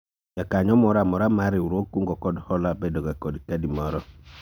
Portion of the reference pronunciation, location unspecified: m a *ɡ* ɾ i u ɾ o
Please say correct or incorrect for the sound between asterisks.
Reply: incorrect: none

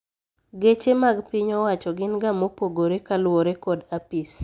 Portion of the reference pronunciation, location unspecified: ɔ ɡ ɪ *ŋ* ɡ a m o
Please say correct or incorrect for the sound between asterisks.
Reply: incorrect: n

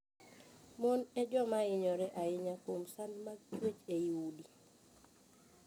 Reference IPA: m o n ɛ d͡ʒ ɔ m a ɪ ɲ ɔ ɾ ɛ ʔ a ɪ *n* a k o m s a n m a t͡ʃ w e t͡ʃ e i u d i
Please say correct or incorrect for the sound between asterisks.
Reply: incorrect: ɲ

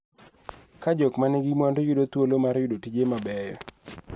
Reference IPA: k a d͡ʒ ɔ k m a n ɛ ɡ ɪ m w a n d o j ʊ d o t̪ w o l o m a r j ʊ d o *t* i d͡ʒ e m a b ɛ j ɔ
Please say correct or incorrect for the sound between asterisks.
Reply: correct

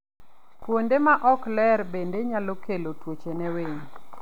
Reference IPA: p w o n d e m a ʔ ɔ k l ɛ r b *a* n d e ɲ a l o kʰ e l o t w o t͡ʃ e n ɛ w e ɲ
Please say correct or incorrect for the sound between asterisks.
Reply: incorrect: e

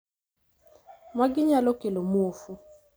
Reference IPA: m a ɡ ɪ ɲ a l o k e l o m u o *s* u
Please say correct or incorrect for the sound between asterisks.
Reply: incorrect: f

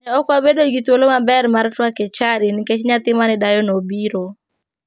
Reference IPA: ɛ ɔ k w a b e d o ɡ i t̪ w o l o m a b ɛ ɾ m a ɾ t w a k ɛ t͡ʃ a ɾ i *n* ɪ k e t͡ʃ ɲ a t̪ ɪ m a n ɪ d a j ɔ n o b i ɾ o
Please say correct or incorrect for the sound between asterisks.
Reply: correct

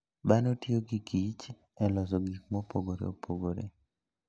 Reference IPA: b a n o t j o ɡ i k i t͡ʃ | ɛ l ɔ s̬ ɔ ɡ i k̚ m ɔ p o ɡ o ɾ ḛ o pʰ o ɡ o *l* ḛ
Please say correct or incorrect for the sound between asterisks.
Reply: incorrect: ɾ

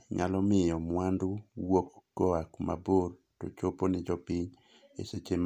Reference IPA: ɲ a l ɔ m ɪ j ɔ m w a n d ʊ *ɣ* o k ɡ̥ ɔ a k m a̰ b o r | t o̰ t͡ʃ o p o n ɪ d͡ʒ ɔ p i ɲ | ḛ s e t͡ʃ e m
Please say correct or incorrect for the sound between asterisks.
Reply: incorrect: w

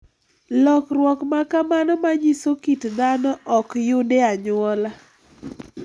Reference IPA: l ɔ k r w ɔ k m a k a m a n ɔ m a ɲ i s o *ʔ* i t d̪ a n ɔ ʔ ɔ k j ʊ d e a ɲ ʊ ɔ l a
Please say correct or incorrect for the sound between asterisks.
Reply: incorrect: k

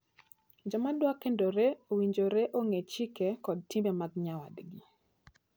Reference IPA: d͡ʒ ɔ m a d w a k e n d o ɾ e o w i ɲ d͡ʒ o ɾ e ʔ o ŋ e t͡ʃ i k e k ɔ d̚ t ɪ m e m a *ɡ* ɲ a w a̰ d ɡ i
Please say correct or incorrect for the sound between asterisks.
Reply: correct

